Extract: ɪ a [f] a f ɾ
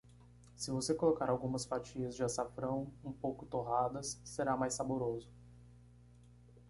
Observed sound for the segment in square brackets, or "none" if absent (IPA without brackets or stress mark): s